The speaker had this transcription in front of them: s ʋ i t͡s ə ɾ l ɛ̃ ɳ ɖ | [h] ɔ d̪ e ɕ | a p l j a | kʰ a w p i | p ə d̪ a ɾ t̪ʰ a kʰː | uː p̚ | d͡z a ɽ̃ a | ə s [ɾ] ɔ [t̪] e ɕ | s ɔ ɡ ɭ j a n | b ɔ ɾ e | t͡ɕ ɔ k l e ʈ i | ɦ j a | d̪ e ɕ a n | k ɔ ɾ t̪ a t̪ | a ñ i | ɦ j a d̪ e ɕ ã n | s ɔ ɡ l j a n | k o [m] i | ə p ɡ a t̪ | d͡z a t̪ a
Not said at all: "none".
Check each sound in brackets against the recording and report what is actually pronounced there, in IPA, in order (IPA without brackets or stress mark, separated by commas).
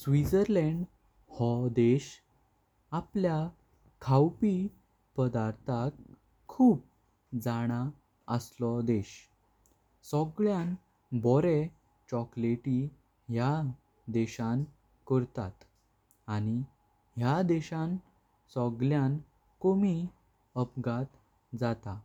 h, l, d̪, m